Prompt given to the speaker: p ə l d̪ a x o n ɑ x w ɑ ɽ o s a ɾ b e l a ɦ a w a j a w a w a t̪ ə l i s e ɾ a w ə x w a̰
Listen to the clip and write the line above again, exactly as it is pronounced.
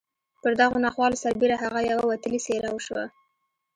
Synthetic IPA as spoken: p ə ɾ d̪ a ɣ o n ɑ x w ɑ l o s a ɾ b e ɾ a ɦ a ɣ a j a w a w a t̪ ə l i s e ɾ a w ə ʃ w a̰